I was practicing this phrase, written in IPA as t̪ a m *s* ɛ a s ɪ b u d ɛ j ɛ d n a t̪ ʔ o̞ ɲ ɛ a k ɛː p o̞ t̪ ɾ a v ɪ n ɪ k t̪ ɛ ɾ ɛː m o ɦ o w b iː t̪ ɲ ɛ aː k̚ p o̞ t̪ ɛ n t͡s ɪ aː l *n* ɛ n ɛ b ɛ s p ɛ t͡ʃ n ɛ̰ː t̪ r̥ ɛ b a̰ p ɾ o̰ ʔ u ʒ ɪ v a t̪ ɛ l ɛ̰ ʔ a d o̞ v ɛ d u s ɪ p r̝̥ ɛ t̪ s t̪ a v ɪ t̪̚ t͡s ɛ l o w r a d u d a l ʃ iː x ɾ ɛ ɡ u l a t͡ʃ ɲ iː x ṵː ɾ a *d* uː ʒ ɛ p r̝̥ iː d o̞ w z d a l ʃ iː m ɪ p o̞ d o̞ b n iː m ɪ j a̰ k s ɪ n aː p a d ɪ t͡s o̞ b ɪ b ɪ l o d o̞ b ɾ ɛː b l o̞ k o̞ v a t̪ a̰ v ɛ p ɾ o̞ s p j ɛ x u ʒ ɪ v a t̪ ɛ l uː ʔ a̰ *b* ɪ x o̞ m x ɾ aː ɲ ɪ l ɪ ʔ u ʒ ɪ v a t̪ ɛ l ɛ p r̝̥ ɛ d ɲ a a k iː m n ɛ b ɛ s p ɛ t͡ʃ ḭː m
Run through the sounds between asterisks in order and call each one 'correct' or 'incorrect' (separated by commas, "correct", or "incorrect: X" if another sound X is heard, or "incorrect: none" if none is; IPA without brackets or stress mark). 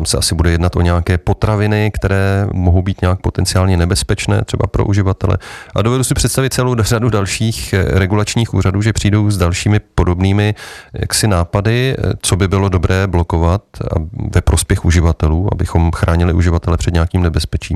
correct, incorrect: ɲ, correct, correct